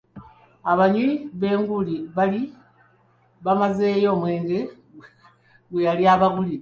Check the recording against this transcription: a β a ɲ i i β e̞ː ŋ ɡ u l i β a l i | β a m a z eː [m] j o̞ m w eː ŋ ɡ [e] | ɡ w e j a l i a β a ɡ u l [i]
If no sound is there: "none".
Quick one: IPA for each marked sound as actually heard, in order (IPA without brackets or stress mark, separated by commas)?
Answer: none, e, i